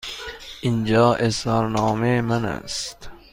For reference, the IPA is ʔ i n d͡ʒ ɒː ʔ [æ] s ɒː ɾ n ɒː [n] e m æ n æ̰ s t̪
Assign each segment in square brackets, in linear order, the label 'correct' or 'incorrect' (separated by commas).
incorrect, incorrect